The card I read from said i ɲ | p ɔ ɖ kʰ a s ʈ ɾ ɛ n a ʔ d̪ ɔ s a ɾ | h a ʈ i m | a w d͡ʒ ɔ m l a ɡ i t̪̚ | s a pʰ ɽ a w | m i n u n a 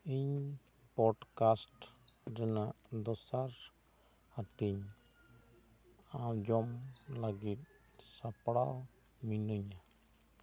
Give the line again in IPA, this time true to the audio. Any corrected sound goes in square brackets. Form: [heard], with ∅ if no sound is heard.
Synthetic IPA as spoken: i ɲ | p ɔ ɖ [k] a s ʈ ɾ ɛ n a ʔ d̪ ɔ s a ɾ | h a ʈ i [ɲ] | a w d͡ʒ ɔ m l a ɡ i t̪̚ | s a [p] ɽ a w | m i n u [ɲ] a